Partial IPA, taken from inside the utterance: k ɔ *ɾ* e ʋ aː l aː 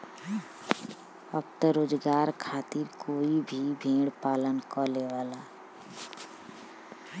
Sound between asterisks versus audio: incorrect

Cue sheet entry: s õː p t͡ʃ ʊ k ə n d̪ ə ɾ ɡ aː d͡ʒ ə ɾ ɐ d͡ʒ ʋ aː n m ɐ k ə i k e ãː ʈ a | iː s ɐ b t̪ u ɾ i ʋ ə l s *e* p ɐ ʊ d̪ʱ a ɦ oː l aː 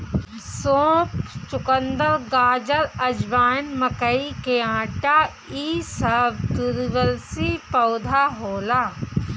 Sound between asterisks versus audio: incorrect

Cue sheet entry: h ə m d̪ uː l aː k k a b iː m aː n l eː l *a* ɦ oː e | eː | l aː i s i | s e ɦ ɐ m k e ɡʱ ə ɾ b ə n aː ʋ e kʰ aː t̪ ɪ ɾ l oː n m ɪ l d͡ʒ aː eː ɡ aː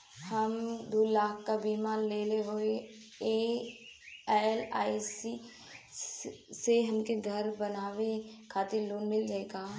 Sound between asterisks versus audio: incorrect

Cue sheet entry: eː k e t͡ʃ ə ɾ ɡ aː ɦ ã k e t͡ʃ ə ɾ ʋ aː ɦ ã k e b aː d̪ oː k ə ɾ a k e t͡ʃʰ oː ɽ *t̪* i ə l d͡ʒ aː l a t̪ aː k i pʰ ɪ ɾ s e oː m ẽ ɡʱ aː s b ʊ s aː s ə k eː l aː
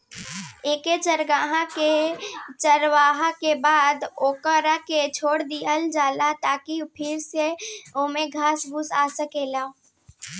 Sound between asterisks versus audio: incorrect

